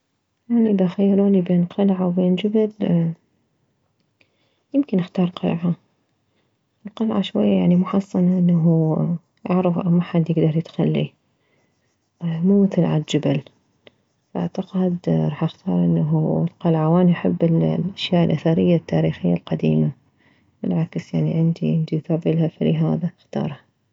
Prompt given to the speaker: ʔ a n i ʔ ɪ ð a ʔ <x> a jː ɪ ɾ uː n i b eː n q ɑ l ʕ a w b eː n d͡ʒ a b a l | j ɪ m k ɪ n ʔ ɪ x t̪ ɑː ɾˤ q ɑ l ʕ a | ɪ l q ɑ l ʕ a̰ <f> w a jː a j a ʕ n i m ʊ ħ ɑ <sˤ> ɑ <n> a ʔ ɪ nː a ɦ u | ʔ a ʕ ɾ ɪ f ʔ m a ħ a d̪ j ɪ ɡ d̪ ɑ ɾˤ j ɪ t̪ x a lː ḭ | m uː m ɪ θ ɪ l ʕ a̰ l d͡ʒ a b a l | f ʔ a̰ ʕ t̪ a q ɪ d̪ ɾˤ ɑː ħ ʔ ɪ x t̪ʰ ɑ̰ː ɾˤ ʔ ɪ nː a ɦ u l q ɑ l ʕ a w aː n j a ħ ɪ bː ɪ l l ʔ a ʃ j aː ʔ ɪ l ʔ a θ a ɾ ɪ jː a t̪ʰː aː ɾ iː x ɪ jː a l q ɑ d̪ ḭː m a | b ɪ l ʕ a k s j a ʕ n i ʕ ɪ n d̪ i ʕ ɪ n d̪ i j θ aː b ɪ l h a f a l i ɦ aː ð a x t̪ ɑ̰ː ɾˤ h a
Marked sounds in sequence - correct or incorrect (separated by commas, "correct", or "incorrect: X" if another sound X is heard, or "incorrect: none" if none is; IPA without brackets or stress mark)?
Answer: correct, incorrect: ʃ, incorrect: sˤː, correct